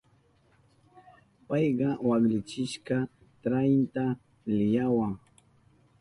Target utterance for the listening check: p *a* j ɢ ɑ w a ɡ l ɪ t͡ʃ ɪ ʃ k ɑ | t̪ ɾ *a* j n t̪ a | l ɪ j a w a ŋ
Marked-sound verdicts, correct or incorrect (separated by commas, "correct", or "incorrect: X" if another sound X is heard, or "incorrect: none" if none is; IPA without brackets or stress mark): incorrect: ɑ, correct